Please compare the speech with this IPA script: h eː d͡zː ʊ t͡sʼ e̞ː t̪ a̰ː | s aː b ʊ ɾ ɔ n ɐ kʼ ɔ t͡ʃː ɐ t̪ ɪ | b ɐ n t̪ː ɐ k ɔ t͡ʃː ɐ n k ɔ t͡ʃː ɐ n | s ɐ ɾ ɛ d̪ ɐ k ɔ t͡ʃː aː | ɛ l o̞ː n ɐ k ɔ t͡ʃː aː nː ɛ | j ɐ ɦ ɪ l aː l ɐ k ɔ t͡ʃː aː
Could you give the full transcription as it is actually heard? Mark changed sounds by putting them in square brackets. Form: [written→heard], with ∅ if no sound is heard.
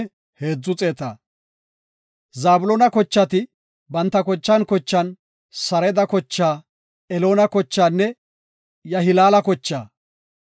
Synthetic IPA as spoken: h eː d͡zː ʊ t͡sʼ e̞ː t̪ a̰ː | [s→z] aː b ʊ [ɾ→l] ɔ n ɐ [kʼ→k] ɔ t͡ʃː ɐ t̪ ɪ | b ɐ n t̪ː ɐ k ɔ t͡ʃː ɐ n k ɔ t͡ʃː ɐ n | s ɐ ɾ ɛ d̪ ɐ k ɔ t͡ʃː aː | ɛ l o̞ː n ɐ k ɔ t͡ʃː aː nː ɛ | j ɐ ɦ ɪ l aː l ɐ k ɔ t͡ʃː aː

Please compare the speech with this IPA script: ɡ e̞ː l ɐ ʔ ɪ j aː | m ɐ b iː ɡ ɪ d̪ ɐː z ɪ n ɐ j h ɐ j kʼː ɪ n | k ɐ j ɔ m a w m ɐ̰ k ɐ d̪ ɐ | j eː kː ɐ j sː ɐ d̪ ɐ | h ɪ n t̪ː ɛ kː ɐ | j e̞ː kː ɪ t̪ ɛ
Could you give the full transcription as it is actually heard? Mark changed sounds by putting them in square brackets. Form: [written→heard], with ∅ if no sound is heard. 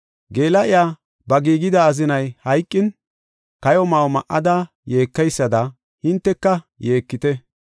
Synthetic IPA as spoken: ɡ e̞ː l ɐ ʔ ɪ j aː | [m→b] ɐ [b→ɡ] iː ɡ ɪ d̪ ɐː z ɪ n ɐ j h ɐ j kʼː ɪ n | k ɐ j ɔ m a w m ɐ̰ [k→ʔ] ɐ d̪ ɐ | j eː kː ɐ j sː ɐ d̪ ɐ | h ɪ n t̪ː ɛ kː ɐ | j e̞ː kː ɪ t̪ ɛ

